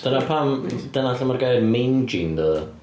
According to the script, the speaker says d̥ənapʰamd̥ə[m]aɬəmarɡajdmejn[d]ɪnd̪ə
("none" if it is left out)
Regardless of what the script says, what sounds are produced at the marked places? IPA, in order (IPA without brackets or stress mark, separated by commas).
n, d͡ʒ